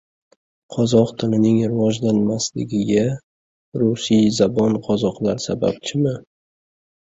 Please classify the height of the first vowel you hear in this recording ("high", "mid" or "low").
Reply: low